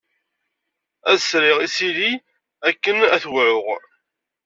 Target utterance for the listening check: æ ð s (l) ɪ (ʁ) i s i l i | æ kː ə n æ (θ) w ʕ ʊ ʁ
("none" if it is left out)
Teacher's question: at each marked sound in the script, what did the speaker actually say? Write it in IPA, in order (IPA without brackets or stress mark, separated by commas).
ɾ, ʁ, θ